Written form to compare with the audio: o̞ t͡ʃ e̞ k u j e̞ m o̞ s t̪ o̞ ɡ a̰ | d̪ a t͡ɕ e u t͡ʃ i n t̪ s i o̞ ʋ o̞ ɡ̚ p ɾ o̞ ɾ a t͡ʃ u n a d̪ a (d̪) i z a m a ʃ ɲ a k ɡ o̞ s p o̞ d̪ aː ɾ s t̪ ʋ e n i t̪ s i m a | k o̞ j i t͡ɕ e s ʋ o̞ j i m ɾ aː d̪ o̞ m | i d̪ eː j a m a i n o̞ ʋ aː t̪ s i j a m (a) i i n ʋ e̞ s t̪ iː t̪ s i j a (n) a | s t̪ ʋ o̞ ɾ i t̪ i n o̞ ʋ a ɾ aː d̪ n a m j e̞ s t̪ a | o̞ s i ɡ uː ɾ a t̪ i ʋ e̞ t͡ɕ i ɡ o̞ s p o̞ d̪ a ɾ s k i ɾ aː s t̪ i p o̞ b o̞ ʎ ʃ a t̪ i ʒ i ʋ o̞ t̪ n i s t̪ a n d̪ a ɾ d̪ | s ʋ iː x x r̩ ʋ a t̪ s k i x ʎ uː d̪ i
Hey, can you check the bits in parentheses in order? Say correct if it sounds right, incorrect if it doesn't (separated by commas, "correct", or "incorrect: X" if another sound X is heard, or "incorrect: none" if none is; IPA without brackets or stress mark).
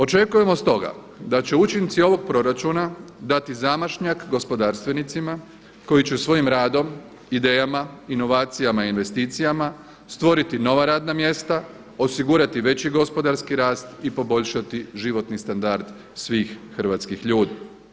incorrect: t̪, correct, incorrect: m